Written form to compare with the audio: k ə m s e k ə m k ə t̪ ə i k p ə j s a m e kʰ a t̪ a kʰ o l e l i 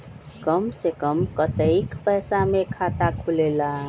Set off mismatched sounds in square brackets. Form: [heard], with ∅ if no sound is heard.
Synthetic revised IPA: k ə m s e k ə m k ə t̪ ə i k p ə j s a m e kʰ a t̪ a kʰ [u] l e l [a]